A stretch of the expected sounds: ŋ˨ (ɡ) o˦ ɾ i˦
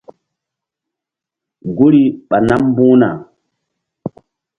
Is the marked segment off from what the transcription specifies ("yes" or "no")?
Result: no